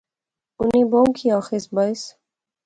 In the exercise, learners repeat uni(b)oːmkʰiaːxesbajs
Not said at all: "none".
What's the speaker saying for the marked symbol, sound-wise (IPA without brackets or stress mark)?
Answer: b